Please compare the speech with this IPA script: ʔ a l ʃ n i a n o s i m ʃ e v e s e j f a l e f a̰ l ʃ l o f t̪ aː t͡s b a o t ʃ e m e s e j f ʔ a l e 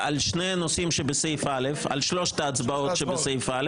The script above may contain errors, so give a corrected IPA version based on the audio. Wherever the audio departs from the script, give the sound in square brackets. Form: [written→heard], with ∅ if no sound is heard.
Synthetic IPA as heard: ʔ a l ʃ n [i→e] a n o s i m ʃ e [v→b] e s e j f a l e f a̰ l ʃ l o [f→ʃ] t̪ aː t͡s b a o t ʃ e [m→b] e s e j f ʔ a l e